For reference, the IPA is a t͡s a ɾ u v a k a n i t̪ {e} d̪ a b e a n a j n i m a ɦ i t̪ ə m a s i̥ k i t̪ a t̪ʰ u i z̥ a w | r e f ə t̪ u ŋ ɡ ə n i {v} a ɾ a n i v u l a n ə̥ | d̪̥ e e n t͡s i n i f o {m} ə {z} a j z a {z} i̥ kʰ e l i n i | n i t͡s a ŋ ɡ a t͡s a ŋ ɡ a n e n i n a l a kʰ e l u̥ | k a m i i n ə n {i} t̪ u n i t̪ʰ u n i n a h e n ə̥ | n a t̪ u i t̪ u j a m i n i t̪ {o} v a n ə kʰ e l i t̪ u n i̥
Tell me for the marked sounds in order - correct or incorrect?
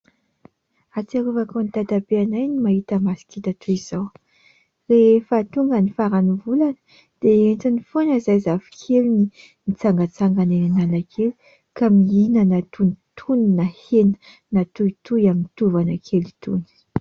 incorrect, incorrect, incorrect, correct, incorrect, incorrect, incorrect

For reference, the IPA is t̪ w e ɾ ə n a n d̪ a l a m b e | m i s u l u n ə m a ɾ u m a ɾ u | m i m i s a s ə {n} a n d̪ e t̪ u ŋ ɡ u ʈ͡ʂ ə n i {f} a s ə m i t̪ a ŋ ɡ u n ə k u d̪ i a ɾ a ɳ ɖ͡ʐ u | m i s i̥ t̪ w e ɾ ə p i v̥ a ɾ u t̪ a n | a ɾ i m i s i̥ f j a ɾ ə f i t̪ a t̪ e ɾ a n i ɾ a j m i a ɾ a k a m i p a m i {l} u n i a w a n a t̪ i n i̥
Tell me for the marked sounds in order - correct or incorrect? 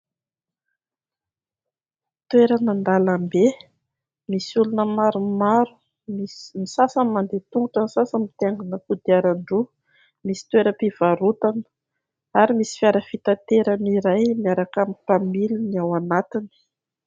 incorrect, incorrect, correct

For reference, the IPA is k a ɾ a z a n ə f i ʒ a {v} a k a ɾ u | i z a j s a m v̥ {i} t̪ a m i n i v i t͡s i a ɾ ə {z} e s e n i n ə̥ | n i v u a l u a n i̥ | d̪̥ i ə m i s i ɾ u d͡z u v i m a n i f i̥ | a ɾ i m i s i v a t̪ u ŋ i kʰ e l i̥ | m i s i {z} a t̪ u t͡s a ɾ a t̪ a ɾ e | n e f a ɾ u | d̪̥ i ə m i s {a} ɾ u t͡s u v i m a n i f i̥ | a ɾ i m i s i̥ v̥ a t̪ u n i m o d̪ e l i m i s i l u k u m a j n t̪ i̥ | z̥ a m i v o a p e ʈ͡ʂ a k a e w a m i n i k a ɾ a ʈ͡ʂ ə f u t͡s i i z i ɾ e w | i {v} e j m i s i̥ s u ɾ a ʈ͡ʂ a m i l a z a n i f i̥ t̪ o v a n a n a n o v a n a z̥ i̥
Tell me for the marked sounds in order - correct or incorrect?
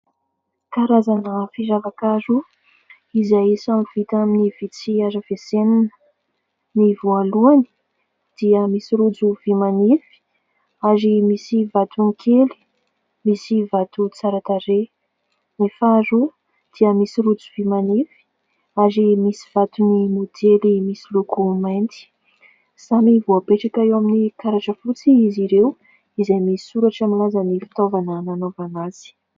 correct, correct, incorrect, incorrect, incorrect, incorrect

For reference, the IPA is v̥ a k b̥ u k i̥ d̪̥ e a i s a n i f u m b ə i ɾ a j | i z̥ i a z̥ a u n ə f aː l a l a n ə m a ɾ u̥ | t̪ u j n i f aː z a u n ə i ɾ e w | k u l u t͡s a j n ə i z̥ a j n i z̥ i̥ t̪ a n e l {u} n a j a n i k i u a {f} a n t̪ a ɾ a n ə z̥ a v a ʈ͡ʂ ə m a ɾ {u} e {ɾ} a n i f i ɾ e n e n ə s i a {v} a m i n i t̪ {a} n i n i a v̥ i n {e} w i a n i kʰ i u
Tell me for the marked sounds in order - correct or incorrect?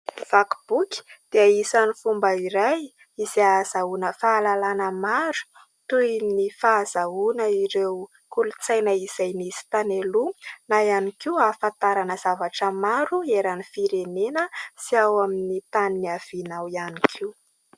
correct, correct, correct, correct, incorrect, correct, incorrect

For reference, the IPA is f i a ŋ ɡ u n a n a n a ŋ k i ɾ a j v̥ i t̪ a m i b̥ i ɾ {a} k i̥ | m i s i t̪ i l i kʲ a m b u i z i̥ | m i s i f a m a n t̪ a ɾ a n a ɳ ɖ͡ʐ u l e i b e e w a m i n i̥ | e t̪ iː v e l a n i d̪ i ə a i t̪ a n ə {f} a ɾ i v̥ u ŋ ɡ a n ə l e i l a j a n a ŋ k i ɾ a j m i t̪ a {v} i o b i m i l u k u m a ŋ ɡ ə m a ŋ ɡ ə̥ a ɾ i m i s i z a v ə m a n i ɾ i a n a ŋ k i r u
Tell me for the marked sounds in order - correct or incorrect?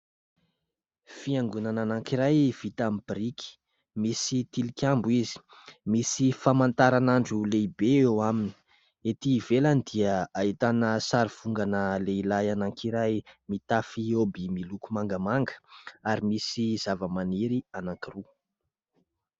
incorrect, incorrect, incorrect

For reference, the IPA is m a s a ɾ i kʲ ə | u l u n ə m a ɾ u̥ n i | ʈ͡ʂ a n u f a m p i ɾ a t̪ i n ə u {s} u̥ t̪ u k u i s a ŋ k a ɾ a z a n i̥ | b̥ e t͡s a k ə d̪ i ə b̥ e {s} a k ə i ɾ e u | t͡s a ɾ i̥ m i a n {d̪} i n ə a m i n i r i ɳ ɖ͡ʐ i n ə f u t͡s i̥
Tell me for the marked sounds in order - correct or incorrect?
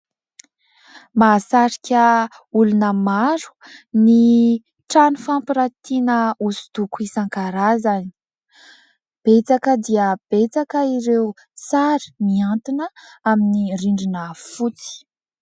correct, incorrect, incorrect

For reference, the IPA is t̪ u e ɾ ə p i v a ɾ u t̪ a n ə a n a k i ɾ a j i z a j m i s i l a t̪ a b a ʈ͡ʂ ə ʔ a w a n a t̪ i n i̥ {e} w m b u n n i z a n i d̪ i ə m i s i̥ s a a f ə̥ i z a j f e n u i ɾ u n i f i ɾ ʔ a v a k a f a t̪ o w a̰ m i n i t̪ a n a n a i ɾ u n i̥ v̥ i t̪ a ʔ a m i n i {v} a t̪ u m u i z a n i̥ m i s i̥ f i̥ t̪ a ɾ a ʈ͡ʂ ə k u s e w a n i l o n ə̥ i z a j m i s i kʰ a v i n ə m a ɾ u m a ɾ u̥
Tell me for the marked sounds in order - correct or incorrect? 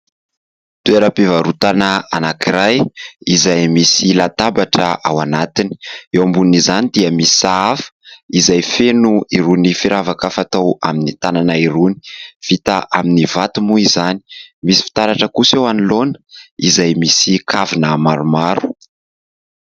correct, correct

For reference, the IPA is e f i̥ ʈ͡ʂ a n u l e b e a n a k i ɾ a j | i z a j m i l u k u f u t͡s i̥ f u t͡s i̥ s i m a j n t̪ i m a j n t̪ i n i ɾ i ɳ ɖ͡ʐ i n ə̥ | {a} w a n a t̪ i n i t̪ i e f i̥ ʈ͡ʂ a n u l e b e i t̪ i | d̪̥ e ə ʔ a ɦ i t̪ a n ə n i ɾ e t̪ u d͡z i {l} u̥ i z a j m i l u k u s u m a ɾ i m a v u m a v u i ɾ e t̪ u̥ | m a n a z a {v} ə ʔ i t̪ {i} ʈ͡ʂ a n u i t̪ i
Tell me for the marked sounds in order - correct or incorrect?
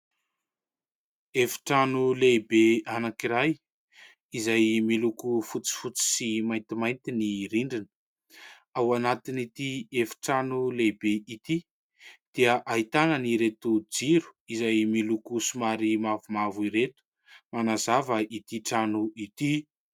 correct, incorrect, correct, correct

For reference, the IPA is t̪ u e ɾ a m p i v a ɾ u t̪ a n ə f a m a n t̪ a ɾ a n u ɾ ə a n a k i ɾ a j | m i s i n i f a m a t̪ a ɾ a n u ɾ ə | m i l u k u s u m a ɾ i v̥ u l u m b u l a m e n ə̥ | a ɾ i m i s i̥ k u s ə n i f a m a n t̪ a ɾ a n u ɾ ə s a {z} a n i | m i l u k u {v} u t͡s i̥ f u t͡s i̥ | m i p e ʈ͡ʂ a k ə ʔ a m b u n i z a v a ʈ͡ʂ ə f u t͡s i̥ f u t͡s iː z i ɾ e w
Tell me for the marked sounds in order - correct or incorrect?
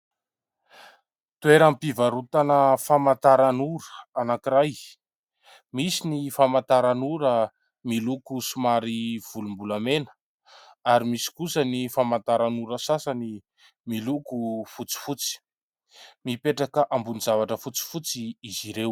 incorrect, incorrect

